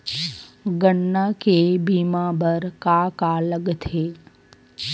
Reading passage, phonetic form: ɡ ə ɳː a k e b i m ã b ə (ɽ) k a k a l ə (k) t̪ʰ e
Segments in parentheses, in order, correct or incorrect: incorrect: ɾ, incorrect: ɡ

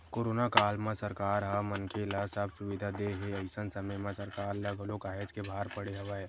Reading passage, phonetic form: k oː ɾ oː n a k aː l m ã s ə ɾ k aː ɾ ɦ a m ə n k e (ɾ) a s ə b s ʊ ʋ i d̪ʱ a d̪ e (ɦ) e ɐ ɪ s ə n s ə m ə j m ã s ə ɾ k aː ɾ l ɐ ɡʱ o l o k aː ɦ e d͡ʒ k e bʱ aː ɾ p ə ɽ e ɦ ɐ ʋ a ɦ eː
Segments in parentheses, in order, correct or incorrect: incorrect: l, correct

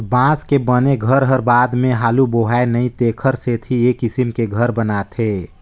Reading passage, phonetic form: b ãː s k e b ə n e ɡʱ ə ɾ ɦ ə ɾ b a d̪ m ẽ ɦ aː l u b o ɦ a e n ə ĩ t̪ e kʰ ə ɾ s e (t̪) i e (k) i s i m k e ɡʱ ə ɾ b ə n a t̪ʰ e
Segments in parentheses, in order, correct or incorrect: incorrect: t̪ʰ, correct

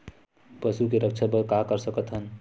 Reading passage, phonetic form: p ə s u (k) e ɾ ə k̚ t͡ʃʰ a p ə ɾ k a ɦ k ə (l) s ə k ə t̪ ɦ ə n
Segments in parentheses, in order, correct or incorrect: correct, incorrect: ɾ

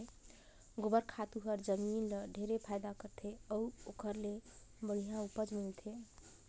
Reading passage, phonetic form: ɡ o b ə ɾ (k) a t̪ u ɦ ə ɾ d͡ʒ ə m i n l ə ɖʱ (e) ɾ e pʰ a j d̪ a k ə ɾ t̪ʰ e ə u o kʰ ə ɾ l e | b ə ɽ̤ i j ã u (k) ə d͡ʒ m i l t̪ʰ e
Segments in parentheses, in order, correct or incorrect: incorrect: kʰ, correct, incorrect: p

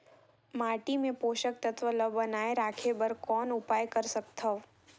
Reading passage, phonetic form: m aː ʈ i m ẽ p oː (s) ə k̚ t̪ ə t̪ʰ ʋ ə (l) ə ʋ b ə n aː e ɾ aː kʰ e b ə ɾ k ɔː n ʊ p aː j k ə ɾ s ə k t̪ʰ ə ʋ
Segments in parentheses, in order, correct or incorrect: incorrect: ʃ, correct

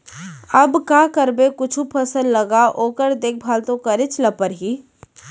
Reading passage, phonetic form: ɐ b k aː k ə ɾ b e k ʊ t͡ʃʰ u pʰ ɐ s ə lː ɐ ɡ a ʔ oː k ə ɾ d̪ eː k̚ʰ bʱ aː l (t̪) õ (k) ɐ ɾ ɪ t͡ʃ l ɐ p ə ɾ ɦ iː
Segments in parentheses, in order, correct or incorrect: correct, correct

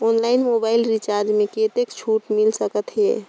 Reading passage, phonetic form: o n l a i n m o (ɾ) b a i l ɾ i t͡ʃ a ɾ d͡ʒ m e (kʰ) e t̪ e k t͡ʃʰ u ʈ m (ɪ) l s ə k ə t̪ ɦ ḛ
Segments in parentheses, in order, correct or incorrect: incorrect: none, incorrect: k, incorrect: i

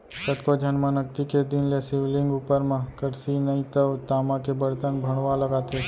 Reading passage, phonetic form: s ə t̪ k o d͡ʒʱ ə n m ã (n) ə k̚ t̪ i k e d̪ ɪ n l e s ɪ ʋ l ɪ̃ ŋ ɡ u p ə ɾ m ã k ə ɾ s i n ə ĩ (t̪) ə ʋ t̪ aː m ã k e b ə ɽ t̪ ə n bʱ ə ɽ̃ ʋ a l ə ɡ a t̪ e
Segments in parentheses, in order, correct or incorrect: correct, correct

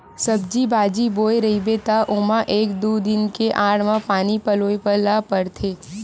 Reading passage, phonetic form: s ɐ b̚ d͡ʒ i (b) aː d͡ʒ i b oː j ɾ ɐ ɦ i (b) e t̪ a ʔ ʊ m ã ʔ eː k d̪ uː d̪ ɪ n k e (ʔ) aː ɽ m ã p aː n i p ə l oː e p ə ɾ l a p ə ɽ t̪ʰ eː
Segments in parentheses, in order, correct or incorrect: correct, correct, correct

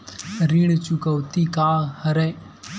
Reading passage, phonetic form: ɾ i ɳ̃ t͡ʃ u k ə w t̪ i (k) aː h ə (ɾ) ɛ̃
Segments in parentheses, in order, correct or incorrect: correct, correct

